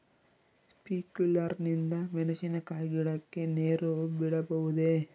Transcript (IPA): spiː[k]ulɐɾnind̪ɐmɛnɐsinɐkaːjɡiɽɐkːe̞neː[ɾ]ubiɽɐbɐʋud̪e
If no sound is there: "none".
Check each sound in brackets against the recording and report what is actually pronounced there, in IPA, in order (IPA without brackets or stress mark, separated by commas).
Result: k, ɾ